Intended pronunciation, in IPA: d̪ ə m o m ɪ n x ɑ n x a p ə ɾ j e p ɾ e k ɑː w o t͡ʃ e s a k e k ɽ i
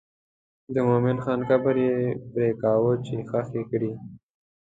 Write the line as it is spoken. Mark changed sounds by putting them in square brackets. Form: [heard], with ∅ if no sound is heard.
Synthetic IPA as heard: d̪ ə m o m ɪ n x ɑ n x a [b] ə ɾ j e p ɾ e k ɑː w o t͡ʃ e [x] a [x] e k ɽ i